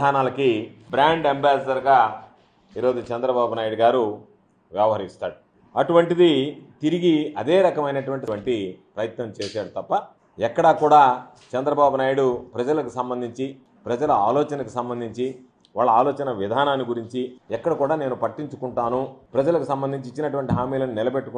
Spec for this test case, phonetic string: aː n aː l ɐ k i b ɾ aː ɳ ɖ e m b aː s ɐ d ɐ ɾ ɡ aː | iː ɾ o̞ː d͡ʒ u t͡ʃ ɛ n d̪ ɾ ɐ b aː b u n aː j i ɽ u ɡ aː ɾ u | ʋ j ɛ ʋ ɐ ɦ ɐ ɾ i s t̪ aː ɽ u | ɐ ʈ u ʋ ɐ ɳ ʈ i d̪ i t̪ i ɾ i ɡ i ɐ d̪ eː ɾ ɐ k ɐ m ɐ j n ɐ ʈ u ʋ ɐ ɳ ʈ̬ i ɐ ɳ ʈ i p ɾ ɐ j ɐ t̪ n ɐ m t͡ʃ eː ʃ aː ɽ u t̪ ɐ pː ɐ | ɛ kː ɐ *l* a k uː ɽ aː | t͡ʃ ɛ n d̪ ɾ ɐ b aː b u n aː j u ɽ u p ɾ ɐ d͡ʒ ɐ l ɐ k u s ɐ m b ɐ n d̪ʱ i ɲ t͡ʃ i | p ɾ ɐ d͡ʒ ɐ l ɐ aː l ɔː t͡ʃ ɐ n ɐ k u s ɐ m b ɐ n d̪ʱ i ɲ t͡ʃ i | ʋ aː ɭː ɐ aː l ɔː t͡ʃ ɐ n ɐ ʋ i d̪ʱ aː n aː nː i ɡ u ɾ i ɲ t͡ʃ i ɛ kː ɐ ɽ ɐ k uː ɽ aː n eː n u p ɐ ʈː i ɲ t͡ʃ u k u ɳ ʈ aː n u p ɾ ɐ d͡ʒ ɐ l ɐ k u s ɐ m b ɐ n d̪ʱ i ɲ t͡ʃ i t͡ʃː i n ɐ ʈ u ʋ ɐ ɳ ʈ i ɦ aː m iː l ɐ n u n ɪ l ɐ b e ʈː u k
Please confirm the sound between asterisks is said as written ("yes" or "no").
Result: no